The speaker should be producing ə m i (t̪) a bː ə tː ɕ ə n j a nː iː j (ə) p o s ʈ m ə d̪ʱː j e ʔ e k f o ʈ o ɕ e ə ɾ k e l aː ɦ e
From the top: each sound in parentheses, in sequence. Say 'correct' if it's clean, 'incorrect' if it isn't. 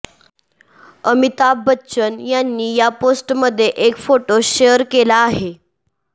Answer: correct, incorrect: a

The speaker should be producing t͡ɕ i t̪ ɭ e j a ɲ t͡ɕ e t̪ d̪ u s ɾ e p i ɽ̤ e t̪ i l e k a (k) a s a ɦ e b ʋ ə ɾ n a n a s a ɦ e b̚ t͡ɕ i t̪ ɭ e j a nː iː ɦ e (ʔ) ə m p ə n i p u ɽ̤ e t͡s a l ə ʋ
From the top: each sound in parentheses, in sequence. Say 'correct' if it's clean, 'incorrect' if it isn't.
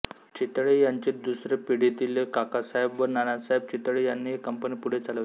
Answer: correct, incorrect: k

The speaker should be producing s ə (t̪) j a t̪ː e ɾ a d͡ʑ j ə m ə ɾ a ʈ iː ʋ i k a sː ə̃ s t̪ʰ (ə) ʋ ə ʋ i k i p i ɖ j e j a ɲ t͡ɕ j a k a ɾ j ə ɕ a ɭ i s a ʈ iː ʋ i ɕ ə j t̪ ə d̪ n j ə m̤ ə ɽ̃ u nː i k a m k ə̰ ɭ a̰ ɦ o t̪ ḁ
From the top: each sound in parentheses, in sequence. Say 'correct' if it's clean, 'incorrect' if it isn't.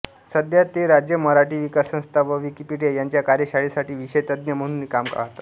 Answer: incorrect: d̪, incorrect: a

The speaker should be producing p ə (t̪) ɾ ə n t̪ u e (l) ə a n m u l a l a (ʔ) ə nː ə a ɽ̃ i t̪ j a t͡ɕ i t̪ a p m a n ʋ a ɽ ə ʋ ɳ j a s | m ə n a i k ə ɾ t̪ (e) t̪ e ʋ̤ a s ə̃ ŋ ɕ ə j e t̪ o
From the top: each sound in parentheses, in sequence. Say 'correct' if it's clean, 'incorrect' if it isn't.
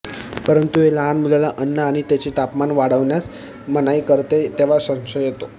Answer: incorrect: none, correct, correct, correct

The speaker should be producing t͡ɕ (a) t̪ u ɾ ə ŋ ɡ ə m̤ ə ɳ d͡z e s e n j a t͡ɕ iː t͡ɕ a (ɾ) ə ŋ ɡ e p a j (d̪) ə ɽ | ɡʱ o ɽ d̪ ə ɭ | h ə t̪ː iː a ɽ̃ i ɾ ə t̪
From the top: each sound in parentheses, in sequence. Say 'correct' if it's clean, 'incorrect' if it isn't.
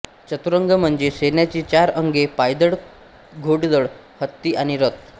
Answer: incorrect: ə, correct, correct

